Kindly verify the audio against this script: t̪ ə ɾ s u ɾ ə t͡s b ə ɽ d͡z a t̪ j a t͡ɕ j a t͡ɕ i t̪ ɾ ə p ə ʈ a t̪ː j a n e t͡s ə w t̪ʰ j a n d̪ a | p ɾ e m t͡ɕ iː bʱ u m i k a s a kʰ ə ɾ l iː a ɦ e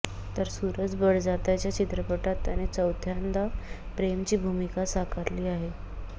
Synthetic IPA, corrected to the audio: t̪ ə ɾ s u ɾ ə t͡s b ə ɽ d͡z a t̪ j a t͡ɕ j a t͡ɕ i t̪ ɾ ə p ə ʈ a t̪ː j a n e t͡s ə w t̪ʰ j a n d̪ a | p ɾ e m t͡ɕ iː bʱ u m i k a s a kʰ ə ɾ l iː a ɦ e